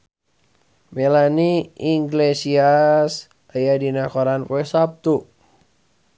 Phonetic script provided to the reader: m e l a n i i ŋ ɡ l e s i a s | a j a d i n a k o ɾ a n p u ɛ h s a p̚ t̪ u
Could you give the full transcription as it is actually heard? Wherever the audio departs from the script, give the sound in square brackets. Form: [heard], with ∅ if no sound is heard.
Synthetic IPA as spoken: m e l a n i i ŋ ɡ l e s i a s | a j a d i n a k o ɾ a n p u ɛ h s a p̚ t̪ u